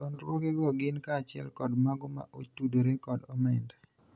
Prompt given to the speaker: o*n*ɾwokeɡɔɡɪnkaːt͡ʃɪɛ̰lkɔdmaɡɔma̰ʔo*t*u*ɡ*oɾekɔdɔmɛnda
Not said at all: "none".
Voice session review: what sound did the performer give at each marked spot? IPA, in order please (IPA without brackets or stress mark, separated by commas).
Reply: n, t, d